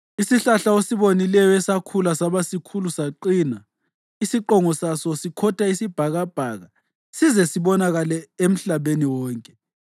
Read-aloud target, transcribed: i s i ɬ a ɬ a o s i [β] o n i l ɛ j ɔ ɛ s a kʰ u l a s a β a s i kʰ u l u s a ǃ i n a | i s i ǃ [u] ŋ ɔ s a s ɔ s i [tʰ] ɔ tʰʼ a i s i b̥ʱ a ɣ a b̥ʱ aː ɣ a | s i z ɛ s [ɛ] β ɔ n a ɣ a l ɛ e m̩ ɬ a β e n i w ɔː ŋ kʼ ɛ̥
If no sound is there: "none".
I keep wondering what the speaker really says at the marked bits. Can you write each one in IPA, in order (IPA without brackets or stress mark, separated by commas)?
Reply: β, ɔ, kʰ, i